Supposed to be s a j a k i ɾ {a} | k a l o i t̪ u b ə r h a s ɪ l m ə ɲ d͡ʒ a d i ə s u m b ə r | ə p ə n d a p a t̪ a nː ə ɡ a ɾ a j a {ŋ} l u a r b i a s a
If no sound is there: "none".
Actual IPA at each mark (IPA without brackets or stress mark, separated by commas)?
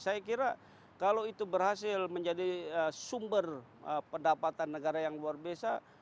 a, ŋ